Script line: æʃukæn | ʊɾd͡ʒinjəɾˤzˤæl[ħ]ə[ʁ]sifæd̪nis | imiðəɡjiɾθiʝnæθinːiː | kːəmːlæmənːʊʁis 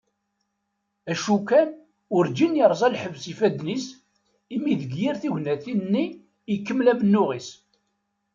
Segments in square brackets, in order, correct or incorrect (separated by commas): correct, incorrect